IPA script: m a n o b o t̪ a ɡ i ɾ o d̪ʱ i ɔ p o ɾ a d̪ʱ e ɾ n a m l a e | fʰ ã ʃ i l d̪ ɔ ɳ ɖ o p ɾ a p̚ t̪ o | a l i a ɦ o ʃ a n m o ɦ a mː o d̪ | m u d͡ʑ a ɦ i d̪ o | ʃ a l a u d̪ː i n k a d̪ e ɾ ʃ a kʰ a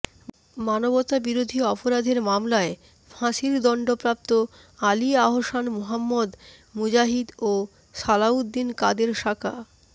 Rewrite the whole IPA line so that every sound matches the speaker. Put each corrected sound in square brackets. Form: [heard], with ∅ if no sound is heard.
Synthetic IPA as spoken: m a n o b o t̪ a [b] i ɾ o d̪ʱ i ɔ p o ɾ a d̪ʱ e ɾ [m] a m l a e | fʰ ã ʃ i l d̪ ɔ ɳ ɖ o p ɾ a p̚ t̪ o | a l i a ɦ o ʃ a n m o ɦ a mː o d̪ | m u d͡ʑ a ɦ i d̪ o | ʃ a l a u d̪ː i n k a d̪ e ɾ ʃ a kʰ a